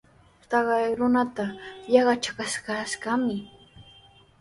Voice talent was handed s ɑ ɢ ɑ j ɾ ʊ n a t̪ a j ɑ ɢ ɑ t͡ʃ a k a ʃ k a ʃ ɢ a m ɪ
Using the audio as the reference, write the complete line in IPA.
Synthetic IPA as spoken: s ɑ ɢ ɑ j ɾ ʊ n a t̪ a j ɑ ɢ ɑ t͡ʃ a k a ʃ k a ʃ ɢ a m ɪ